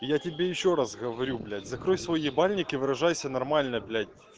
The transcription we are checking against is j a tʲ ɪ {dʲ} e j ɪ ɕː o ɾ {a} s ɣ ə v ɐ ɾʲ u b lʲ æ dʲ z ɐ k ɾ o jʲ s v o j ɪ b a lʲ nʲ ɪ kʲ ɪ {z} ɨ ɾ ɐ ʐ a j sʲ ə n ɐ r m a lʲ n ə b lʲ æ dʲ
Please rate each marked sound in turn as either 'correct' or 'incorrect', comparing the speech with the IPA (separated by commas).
incorrect, correct, incorrect